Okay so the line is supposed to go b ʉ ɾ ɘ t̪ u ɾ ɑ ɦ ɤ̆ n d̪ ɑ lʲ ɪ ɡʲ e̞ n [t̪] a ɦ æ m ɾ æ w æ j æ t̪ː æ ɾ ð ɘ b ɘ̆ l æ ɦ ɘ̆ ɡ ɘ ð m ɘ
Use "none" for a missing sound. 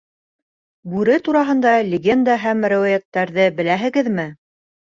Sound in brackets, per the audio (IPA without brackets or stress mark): d̪